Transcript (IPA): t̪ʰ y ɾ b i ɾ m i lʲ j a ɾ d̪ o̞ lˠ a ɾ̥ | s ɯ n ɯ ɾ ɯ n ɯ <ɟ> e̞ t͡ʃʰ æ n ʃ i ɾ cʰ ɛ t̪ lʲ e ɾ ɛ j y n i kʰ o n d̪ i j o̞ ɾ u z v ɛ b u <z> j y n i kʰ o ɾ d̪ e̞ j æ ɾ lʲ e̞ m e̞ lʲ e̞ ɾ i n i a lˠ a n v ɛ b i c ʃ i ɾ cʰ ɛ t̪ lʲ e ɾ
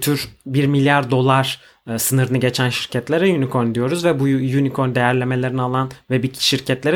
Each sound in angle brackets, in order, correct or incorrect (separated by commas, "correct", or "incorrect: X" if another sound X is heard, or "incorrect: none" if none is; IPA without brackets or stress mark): correct, incorrect: none